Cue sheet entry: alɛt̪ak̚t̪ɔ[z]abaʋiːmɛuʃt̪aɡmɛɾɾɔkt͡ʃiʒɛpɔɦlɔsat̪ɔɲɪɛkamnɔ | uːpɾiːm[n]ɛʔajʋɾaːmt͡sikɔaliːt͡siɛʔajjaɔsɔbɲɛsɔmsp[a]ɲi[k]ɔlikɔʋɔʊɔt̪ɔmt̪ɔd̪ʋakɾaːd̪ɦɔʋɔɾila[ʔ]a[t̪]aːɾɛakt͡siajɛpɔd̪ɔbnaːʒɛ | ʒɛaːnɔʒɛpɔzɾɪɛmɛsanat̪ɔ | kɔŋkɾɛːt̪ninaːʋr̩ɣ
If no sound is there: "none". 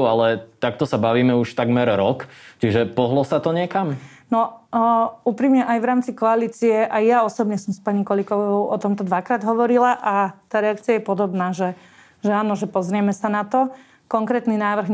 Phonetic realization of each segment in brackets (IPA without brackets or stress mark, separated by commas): s, ɲ, a, k, ʔ, t̪